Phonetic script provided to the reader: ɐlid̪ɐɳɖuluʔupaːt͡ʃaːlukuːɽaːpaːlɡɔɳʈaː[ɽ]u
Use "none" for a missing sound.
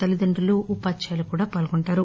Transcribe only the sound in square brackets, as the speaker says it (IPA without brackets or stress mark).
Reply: ɾ